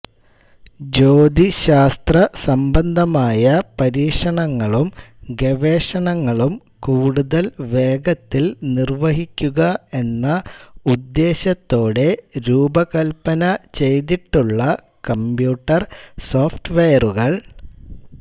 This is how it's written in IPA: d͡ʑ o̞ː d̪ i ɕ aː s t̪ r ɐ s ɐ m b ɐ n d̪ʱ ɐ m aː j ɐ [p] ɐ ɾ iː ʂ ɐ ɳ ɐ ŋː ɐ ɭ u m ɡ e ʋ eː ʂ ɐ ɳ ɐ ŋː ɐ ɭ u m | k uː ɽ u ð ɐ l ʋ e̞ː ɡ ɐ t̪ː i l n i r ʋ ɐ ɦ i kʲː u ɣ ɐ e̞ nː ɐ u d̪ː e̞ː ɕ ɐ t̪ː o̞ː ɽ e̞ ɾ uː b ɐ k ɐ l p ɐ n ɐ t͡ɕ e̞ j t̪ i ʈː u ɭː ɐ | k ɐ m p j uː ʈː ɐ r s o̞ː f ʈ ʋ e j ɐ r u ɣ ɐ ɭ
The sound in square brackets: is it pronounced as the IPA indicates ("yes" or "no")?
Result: yes